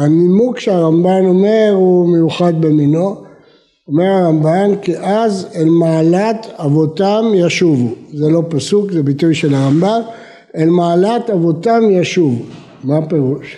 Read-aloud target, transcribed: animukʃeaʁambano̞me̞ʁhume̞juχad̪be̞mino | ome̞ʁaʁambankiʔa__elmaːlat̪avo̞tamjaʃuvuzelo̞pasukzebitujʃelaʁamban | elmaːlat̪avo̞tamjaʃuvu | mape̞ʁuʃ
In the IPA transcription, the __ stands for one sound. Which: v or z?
z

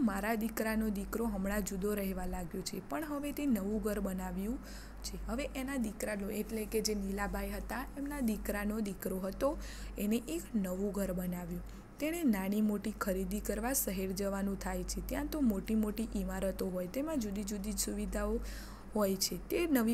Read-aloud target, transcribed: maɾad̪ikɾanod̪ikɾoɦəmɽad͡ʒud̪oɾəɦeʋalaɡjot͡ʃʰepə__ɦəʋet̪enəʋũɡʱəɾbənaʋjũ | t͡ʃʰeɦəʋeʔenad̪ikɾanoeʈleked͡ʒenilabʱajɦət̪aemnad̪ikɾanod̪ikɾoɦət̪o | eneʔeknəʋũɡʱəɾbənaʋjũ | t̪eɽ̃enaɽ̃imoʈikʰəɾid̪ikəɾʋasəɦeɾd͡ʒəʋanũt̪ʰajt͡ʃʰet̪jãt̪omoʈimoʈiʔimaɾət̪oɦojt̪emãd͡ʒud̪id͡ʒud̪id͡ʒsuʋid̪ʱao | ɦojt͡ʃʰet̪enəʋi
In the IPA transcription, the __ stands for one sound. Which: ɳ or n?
ɳ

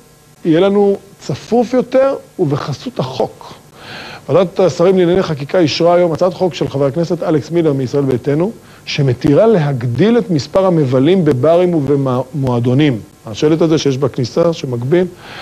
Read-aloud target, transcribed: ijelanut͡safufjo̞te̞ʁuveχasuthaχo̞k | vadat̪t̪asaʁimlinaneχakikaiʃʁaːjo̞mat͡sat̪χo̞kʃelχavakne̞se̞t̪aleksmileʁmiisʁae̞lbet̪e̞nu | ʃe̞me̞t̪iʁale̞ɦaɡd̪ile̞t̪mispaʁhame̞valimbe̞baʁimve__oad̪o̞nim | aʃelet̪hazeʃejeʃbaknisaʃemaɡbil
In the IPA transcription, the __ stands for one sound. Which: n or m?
m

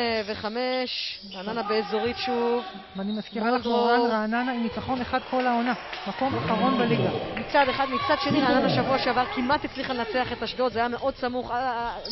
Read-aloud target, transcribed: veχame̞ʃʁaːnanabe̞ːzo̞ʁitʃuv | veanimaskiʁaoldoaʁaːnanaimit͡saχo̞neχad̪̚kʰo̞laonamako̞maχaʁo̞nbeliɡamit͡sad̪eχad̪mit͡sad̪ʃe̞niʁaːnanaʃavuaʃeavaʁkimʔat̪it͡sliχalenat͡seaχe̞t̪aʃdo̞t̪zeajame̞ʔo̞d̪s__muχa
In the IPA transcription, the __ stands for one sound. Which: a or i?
a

